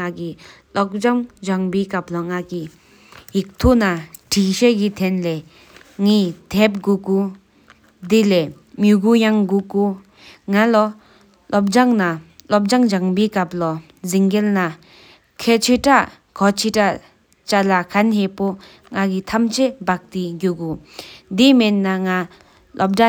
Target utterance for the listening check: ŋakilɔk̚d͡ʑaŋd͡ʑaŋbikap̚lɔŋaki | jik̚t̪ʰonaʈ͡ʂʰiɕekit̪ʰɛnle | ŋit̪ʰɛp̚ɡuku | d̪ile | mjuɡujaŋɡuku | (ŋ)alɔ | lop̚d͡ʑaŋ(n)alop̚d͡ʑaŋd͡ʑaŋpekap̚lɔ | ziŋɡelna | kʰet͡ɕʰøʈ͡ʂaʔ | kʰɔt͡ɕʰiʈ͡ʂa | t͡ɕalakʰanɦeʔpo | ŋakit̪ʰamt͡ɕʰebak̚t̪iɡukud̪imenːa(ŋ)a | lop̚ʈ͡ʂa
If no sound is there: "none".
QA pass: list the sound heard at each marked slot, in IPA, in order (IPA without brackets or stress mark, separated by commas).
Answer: ŋ, n, ŋ